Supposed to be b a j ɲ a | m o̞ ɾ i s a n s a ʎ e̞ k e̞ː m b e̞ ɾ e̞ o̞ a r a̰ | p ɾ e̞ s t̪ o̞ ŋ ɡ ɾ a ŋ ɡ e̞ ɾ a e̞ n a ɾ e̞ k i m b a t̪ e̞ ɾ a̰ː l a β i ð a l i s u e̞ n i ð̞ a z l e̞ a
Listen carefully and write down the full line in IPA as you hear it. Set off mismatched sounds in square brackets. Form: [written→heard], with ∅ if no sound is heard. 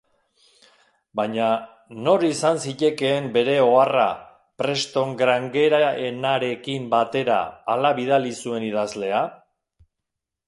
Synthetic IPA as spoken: b a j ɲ a | [m→n] o̞ ɾ i s a n s [a→i] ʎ e̞ k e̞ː m b e̞ ɾ e̞ o̞ a r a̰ | p ɾ e̞ s t̪ o̞ ŋ ɡ ɾ a ŋ ɡ e̞ ɾ a e̞ n a ɾ e̞ k i m b a t̪ e̞ ɾ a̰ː l a β i ð a l i s u e̞ n i ð̞ a z l e̞ a